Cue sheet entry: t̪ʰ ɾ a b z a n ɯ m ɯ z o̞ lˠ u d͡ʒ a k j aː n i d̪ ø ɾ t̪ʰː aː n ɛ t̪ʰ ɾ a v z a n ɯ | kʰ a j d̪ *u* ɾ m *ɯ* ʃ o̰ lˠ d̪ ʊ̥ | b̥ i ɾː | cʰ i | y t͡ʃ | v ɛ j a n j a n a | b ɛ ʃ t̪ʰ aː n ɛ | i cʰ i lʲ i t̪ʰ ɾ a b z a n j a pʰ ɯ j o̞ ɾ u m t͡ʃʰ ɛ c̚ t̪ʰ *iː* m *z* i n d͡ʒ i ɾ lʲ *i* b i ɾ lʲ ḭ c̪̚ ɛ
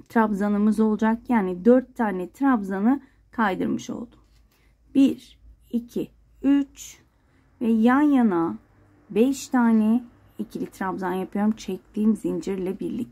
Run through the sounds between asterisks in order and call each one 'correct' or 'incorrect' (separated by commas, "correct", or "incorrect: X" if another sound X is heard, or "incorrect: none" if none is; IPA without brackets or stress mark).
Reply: incorrect: ɯ, correct, correct, correct, incorrect: ɛ